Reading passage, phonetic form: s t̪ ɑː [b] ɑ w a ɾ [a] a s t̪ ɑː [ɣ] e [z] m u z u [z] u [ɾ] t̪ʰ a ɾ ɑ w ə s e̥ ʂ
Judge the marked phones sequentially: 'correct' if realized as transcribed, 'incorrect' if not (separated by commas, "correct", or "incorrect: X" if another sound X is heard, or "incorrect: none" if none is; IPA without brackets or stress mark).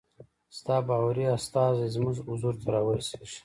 correct, incorrect: i, incorrect: z, correct, correct, correct